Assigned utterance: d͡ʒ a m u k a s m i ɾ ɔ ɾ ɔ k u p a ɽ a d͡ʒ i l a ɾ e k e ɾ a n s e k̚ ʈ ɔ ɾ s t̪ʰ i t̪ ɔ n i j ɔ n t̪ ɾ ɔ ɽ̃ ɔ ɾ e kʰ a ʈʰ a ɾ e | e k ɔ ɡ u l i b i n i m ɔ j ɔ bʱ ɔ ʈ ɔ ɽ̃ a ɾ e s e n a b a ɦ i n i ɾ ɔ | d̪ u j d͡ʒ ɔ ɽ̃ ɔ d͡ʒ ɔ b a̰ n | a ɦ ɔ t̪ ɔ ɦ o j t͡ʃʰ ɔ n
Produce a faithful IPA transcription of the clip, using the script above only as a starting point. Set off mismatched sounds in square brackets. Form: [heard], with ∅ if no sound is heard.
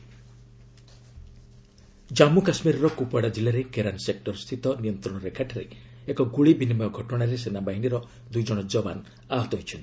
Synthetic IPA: d͡ʒ a m u k a s m i ɾ ɔ ɾ ɔ k u p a ɽ a d͡ʒ i l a ɾ e k e ɾ a n s e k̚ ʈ ɔ ɾ s t̪ʰ i t̪ ɔ n i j ɔ n t̪ ɾ ɔ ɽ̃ ɔ ɾ e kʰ a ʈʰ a ɾ e | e k ɔ ɡ u [ɭ] i b i n i m ɔ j ɔ [ɡʱ] ɔ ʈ ɔ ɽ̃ a ɾ e s e n a b a ɦ i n i ɾ ɔ | d̪ u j d͡ʒ ɔ ɽ̃ ɔ d͡ʒ ɔ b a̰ n | a ɦ ɔ t̪ ɔ ɦ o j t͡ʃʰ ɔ n